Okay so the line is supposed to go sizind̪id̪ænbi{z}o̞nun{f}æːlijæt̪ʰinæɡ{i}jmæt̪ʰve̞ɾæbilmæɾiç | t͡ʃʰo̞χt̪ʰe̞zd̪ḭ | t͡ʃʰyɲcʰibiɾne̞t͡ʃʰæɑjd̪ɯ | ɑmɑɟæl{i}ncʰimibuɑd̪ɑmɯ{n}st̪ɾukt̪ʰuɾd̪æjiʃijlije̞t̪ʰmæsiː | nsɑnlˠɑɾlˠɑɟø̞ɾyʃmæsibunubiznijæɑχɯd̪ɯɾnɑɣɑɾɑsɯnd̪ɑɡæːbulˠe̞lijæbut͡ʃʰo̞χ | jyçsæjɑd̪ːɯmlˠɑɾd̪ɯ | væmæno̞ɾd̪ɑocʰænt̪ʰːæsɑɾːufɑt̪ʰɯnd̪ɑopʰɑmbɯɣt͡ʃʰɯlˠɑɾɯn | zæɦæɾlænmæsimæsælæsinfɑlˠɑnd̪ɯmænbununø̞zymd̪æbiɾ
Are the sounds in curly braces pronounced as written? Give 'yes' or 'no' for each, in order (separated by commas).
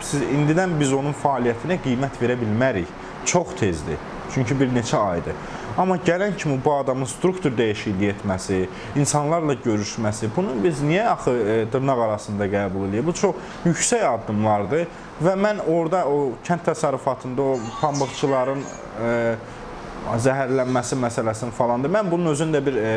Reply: yes, yes, yes, no, yes